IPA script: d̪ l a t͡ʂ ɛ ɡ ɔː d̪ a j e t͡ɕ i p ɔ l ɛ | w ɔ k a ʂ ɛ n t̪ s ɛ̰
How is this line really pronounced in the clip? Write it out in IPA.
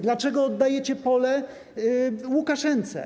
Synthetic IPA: d̪ l a t͡ʂ ɛ ɡ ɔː d̪ː a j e t͡ɕ ɛ p ɔ l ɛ | w u k a ʂ ɛ n t̪ s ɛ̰